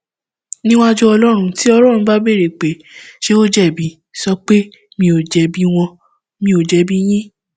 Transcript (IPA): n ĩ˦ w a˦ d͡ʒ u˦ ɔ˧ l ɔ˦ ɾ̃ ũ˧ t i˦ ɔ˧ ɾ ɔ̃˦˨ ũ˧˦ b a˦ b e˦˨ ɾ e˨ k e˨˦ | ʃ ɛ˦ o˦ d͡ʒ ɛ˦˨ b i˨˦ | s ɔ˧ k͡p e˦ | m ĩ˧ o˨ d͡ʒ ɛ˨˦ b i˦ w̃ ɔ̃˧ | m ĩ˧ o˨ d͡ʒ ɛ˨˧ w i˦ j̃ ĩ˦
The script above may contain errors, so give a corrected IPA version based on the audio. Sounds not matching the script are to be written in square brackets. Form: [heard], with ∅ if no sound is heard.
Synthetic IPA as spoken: n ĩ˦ w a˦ d͡ʒ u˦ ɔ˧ l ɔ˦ ɾ̃ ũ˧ t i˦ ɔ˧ ɾ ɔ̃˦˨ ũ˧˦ b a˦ b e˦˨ ɾ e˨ [k͡p] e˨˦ | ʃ [e˦] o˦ d͡ʒ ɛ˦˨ b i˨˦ | s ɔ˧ k͡p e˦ | m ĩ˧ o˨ d͡ʒ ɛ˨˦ b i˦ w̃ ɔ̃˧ | m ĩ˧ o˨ d͡ʒ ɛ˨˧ [b] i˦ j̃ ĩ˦